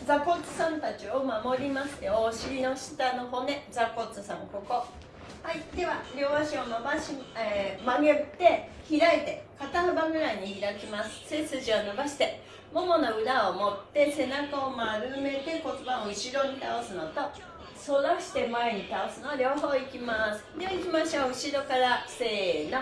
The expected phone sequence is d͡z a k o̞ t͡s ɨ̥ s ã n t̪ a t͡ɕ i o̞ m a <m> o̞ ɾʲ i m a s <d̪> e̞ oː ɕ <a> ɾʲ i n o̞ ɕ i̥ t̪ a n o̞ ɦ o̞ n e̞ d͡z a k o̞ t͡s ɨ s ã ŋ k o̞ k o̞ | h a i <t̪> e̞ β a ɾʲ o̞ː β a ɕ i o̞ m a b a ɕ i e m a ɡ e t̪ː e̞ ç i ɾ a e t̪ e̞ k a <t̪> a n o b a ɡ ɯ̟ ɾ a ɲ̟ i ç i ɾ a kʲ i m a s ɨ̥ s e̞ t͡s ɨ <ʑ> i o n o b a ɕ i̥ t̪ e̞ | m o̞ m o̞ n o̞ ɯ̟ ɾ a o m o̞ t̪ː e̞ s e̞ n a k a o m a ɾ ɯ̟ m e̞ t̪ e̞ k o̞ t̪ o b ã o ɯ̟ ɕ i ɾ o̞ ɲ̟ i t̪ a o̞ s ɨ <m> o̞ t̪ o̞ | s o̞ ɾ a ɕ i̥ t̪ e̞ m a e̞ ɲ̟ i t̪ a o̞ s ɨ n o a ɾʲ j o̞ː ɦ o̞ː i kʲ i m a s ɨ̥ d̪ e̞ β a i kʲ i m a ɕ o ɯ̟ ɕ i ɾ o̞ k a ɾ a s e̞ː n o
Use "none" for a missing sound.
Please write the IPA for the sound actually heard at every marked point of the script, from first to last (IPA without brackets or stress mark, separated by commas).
m, t̪, i, d̪, t̪, ʑ, n